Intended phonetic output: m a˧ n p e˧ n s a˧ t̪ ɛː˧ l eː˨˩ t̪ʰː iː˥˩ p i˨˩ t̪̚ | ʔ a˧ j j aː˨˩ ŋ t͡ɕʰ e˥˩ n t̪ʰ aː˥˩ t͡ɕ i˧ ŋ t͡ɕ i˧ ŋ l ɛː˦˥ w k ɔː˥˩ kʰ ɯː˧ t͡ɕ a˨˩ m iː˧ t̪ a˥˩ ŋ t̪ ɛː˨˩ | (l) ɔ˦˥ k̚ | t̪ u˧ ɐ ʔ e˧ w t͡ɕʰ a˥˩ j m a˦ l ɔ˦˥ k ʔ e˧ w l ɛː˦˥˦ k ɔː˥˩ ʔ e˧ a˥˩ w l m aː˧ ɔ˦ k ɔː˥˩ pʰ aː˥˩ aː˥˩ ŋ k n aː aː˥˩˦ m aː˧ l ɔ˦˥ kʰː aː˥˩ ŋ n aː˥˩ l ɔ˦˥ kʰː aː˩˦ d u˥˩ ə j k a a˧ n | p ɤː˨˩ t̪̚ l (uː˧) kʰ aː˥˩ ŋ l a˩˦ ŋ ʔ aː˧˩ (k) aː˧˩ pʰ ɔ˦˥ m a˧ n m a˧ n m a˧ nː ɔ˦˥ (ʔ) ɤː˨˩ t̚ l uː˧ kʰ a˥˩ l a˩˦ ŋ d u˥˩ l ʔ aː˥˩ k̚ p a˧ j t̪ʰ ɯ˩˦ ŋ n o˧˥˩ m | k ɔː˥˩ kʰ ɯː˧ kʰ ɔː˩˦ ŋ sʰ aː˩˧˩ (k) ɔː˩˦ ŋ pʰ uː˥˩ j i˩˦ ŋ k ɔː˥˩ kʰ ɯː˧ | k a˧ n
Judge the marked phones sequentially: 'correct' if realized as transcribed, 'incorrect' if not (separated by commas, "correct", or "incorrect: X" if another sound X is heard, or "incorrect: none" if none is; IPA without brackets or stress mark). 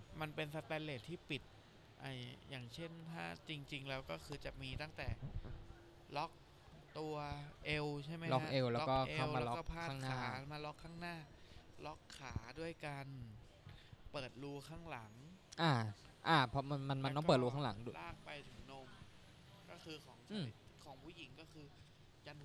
correct, correct, incorrect: ʔ, incorrect: p, incorrect: kʰ